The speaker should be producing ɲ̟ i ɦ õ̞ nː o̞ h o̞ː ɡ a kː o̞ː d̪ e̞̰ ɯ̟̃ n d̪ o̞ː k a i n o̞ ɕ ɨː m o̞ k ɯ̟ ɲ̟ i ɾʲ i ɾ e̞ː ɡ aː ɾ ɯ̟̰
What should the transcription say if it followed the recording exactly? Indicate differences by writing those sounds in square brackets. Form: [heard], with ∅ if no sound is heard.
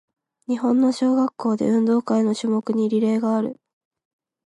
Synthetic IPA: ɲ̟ i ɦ õ̞ nː o̞ [ɕ] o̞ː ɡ a kː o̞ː d̪ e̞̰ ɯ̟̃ n d̪ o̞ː k a i n o̞ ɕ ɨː m o̞ k ɯ̟ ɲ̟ i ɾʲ i ɾ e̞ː ɡ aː ɾ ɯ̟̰